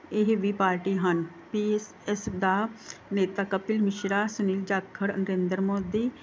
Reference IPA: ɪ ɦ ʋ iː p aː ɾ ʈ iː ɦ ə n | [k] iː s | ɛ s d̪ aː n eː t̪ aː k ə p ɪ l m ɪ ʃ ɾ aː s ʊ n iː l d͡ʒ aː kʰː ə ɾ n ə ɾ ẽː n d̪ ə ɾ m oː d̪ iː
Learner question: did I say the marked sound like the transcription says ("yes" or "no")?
no